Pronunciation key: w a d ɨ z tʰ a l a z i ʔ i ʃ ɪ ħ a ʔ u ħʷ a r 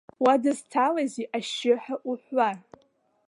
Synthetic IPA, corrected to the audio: w a d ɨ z tʰ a l a z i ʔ a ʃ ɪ ħ a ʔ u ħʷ a r